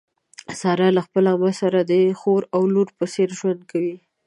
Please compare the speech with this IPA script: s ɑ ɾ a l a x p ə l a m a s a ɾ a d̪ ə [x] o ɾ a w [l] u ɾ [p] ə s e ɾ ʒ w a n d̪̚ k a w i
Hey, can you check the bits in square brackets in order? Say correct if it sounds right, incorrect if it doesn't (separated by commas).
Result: correct, correct, correct